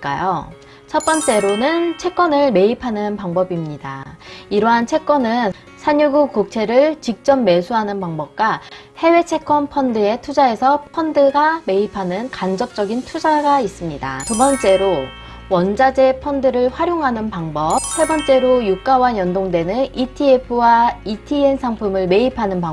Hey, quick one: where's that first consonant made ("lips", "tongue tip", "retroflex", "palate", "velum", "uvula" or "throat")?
velum